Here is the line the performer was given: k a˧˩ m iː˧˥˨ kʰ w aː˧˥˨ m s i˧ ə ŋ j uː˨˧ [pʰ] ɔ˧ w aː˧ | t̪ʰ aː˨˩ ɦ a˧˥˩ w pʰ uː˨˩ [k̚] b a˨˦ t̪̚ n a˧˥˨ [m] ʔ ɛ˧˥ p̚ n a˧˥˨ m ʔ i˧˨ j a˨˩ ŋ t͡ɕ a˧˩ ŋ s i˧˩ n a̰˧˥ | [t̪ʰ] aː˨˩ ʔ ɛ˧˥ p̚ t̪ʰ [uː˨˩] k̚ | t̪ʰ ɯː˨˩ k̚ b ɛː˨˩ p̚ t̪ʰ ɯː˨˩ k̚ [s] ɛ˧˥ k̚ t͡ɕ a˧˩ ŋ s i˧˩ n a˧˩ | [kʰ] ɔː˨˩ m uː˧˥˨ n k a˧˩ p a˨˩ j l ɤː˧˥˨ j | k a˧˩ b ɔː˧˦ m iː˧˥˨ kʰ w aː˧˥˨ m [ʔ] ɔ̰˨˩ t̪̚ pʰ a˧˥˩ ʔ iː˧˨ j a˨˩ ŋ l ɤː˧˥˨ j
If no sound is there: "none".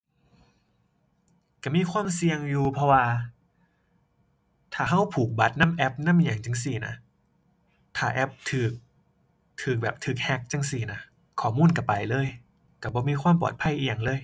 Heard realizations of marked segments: pʰ, k̚, m, t̪ʰ, ɯː˨˩, h, kʰ, p

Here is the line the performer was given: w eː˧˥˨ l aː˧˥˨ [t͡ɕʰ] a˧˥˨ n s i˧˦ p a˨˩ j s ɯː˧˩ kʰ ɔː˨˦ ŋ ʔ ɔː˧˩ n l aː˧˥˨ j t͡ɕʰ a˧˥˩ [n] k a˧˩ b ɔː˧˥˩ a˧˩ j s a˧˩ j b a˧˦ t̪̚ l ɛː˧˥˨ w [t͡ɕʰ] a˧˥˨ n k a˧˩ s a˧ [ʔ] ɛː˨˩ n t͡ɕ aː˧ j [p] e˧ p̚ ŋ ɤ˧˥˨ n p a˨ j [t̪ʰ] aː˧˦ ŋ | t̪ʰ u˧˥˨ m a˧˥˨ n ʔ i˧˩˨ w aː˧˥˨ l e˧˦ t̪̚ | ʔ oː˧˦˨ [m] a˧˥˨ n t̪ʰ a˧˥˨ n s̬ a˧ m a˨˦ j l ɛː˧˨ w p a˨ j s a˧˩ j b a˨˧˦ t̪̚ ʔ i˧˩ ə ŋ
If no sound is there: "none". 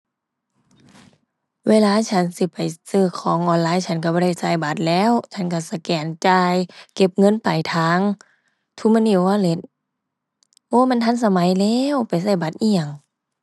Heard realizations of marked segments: t͡ɕʰ, n, t͡ɕʰ, k, k, t̪ʰ, m

